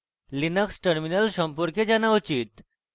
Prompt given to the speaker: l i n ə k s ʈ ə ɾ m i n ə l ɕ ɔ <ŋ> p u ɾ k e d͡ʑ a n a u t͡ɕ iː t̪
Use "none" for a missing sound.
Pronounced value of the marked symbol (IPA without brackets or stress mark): m